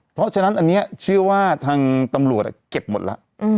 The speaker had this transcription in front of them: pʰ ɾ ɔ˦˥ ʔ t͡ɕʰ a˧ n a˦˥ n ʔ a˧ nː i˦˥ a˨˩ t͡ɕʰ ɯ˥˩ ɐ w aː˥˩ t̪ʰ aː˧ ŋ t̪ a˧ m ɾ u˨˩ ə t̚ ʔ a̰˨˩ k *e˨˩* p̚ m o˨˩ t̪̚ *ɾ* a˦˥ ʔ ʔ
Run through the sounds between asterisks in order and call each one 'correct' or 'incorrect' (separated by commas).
correct, incorrect